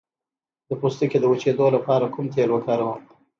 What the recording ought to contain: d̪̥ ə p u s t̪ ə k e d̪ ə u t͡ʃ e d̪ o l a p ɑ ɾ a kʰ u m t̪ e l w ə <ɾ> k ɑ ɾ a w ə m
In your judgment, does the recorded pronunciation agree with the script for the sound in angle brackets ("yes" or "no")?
no